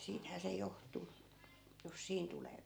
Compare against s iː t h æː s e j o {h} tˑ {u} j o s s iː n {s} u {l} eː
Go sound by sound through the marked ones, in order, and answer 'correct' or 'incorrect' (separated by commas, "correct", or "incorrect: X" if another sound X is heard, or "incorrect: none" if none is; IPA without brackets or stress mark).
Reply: correct, correct, incorrect: t, correct